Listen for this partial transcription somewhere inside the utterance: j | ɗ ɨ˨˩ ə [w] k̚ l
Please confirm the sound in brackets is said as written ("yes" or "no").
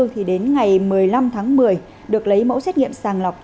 no